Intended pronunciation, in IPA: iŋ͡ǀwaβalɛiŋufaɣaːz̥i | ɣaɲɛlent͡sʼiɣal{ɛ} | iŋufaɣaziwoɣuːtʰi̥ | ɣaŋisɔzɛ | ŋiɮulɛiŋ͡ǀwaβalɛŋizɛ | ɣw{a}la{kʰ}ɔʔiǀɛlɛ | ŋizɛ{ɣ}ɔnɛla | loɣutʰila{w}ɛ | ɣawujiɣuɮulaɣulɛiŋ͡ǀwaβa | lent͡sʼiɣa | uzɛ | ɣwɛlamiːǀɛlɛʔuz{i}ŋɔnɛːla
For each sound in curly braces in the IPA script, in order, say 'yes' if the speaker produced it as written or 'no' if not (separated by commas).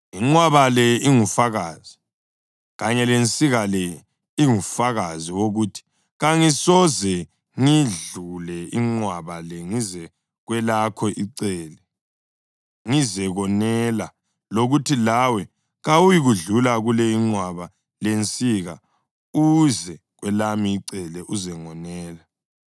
yes, no, yes, yes, yes, no